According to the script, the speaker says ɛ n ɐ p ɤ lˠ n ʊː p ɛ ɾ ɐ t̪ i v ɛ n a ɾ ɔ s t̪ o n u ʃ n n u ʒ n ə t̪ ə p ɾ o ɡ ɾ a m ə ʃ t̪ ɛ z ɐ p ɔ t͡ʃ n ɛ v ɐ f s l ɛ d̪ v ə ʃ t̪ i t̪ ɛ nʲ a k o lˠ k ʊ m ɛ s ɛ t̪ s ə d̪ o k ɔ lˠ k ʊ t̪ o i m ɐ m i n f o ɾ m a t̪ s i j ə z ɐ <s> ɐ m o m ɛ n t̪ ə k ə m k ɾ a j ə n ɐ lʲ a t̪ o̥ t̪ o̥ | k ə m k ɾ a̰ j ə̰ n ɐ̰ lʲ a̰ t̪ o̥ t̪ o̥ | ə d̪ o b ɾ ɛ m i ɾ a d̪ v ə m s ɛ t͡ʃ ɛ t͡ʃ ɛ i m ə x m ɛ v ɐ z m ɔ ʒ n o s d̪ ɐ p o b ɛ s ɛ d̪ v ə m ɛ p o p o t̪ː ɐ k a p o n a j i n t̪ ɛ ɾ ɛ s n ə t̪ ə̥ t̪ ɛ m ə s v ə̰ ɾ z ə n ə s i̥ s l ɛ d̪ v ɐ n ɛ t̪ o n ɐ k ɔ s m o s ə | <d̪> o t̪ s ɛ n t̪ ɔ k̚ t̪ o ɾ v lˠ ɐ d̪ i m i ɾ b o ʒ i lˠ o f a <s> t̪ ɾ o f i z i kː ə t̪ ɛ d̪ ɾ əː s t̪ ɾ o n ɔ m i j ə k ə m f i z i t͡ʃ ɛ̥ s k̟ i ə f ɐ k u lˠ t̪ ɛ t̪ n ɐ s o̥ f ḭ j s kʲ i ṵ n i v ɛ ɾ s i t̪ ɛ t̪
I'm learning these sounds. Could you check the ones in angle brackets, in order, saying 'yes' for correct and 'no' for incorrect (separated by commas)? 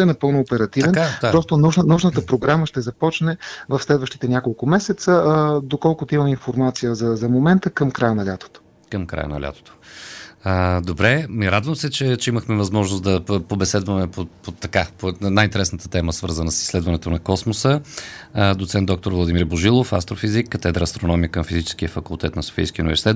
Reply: no, yes, yes